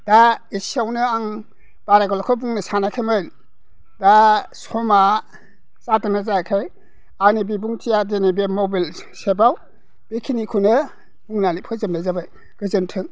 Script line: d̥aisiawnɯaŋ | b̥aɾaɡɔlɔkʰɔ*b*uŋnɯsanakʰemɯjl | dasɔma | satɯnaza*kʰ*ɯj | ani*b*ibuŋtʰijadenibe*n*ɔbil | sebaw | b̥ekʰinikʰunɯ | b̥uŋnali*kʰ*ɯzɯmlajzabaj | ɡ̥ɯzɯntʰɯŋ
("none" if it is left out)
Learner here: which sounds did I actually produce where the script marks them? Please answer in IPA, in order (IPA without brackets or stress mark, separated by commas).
b, kʰ, b, m, pʰ